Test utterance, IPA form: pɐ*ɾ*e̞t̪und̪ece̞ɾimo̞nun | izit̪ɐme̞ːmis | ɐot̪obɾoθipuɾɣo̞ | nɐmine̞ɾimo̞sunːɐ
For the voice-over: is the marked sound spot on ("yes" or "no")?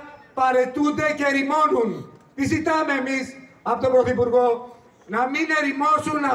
yes